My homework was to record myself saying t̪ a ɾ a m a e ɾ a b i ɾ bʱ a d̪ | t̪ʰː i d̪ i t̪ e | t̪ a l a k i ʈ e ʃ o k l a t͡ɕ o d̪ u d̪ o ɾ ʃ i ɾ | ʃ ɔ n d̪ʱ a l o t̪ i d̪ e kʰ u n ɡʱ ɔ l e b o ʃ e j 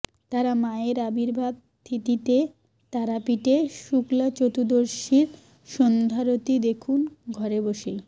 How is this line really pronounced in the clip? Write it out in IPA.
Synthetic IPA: t̪ a ɾ a m a e ɾ a b i ɾ bʱ a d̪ | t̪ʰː i t̪ i t̪ e | t̪ a ɾ a p i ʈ e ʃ u k l a t͡ɕ o t̪ u d̪ o ɾ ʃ i ɾ | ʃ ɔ n d̪ʱ a ɾ o t̪ i d̪ e kʰ u n ɡʱ ɔ ɾ e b o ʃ e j

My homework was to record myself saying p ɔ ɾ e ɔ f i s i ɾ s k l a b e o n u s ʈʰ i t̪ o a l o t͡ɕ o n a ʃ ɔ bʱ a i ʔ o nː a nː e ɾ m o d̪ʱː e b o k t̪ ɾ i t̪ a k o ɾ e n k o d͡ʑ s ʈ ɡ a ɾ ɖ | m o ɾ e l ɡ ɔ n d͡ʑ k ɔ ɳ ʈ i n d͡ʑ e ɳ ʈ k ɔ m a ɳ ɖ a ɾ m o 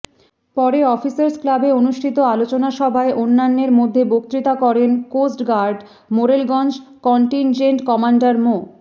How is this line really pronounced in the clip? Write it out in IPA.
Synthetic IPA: p ɔ ɾ e ɔ f i s a ɾ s k l a b e o n u ʃ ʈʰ i t̪ o a l o t͡ɕ o n a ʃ ɔ bʱ a e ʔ o nː a nː e ɾ m o d̪ʱː e b o k t̪ ɾ i t̪ a k ɔ ɾ e n k o s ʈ ɡ a ɾ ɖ | m o ɾ e l ɡ ɔ n d͡ʑ k ɔ ɳ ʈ i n d͡ʑ e ɳ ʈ k ɔ m a ɳ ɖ a ɾ m o

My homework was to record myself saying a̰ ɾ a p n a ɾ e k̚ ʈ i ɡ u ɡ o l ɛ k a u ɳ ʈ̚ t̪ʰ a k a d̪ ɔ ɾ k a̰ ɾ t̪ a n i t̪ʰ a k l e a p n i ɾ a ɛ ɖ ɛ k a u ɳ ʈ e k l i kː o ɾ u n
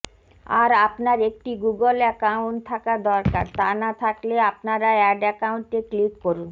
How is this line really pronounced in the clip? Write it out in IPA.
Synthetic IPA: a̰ ɾ a p n a ɾ e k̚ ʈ i ɡ u ɡ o l ɛ k a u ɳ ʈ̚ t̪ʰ a k a d̪ ɔ ɾ k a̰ ɾ t̪ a n a t̪ʰ a k l e a p n a ɾ a ɛ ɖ ɛ k a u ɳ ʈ e k l i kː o ɾ u n

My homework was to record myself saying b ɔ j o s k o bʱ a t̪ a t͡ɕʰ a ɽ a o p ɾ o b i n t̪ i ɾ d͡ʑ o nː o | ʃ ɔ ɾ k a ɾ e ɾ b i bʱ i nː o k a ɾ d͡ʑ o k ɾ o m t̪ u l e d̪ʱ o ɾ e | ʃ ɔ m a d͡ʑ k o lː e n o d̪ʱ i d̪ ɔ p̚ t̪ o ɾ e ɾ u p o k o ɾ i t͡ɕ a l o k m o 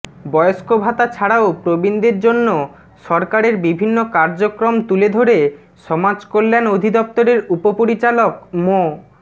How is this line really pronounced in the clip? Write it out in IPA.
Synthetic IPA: b ɔ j o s k o bʱ a t̪ a t͡ɕʰ a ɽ a o p ɾ o b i n d̪ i ɾ d͡ʑ o nː o | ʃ ɔ ɾ k a ɾ e ɾ b i bʱ i nː o k a ɾ d͡ʑ o k ɾ o m t̪ u l e d̪ʱ o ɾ e | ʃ ɔ m a d͡ʑ k o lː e n o d̪ʱ i d̪ ɔ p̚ t̪ o ɾ e ɾ u p o p o ɾ i t͡ɕ a l o k m o

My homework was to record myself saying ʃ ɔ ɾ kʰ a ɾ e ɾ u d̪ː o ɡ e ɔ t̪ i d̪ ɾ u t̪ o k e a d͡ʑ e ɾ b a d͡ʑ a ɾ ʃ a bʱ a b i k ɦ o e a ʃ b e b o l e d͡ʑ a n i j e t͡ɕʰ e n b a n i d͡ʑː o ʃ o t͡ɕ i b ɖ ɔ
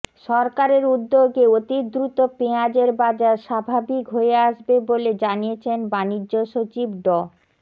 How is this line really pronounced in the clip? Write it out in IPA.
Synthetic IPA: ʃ ɔ ɾ k a ɾ e ɾ u d̪ː o ɡ e o t̪ i d̪ ɾ u t̪ o p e a d͡ʑ e ɾ b a d͡ʑ a ɾ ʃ a bʱ a b i k ɦ o e a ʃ b e b o l e d͡ʑ a n i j e t͡ɕʰ e n b a n i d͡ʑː o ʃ o t͡ɕ i b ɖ ɔ

